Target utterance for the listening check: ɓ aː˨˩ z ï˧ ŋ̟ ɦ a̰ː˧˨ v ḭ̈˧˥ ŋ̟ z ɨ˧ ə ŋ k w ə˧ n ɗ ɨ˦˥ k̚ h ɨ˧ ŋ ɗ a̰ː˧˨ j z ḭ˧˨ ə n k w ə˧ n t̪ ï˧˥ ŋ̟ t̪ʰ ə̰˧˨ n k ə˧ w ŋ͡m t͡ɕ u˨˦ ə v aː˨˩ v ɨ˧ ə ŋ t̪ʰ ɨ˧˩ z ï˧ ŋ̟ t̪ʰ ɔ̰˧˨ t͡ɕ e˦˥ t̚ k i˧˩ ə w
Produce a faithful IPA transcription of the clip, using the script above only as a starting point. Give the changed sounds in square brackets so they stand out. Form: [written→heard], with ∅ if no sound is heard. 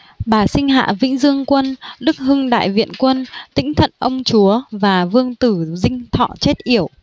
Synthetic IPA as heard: ɓ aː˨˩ [z→s] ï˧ ŋ̟ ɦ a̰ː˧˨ v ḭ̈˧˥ ŋ̟ z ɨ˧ ə ŋ k w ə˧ n ɗ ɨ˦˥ k̚ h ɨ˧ ŋ ɗ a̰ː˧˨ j [z→v] ḭ˧˨ ə n k w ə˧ n t̪ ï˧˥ ŋ̟ t̪ʰ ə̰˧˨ n [k→ʔ] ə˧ w ŋ͡m t͡ɕ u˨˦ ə v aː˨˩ v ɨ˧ ə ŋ [t̪ʰ→t̪] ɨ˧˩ z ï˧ ŋ̟ t̪ʰ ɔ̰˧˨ t͡ɕ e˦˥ t̚ [k→ʔ] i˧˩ ə w